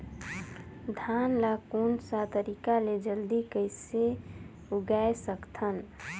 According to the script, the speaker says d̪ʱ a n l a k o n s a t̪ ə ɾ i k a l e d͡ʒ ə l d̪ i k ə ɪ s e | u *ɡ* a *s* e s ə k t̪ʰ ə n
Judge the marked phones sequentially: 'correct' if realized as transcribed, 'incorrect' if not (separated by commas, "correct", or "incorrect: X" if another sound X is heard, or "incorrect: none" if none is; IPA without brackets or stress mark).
correct, incorrect: none